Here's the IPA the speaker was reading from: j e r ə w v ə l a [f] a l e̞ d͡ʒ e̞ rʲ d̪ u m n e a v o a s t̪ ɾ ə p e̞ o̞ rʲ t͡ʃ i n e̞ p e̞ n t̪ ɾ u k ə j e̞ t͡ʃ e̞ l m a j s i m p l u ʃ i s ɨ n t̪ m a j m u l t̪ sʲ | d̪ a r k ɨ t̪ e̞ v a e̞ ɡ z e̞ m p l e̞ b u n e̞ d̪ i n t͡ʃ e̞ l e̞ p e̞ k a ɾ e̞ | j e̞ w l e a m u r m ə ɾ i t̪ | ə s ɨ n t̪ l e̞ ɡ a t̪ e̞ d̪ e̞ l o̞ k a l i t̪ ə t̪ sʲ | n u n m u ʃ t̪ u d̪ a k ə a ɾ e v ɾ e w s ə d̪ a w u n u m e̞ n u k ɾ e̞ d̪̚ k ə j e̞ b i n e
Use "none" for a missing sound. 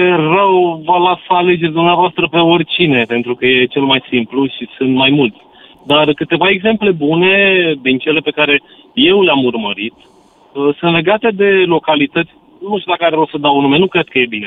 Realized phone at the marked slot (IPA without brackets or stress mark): s